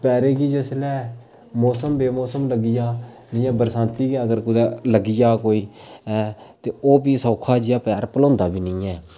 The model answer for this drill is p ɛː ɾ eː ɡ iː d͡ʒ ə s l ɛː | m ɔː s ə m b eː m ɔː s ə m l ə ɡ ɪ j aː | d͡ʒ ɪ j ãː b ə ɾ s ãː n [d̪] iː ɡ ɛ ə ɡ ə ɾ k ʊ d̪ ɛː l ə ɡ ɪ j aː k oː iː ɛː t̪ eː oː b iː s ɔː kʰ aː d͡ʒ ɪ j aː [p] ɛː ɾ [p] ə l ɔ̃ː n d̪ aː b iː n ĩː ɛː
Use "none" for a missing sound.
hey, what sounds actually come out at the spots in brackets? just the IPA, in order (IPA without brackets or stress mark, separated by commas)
t̪, p, p